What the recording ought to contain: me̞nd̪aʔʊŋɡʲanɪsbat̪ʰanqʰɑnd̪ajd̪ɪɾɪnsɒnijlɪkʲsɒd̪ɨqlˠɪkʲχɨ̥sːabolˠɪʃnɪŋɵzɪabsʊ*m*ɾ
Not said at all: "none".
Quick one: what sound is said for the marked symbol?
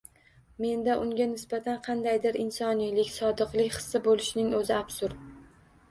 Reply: none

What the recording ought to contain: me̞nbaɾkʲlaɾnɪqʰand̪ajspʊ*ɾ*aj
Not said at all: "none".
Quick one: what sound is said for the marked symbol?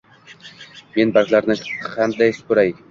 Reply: ɾ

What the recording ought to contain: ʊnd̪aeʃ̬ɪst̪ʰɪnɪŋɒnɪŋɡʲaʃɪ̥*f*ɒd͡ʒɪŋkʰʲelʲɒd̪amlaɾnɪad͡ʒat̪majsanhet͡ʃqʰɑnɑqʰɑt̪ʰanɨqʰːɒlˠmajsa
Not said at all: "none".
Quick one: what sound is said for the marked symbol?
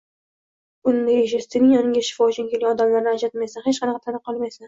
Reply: f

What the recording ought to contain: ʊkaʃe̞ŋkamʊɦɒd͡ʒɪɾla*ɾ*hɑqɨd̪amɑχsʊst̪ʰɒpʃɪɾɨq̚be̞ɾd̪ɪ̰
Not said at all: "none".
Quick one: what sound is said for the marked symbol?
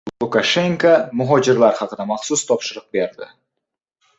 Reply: ɾ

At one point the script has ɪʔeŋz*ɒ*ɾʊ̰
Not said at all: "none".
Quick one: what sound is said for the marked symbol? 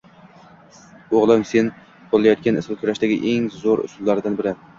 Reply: o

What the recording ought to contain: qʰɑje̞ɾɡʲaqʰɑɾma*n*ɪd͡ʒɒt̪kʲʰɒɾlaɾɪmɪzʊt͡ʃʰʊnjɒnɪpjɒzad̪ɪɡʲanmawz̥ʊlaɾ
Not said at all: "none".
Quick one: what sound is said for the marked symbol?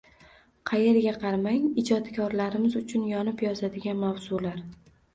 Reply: ŋ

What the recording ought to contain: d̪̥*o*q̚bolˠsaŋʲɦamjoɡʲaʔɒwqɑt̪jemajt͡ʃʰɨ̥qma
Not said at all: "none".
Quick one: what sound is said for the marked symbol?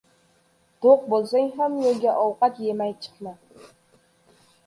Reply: o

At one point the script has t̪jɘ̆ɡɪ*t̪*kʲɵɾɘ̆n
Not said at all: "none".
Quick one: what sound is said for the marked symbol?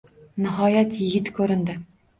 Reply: t̪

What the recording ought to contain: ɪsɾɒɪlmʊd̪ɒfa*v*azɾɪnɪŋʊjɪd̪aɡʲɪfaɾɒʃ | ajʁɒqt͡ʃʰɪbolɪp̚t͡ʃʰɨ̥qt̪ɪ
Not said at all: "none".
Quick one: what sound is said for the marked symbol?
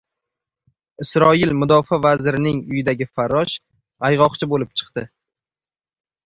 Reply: v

